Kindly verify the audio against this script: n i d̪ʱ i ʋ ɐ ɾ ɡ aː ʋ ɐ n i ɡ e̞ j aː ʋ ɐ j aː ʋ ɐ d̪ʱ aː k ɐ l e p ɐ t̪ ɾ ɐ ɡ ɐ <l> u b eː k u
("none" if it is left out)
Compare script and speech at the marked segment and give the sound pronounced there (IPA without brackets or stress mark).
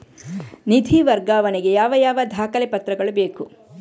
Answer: ɭ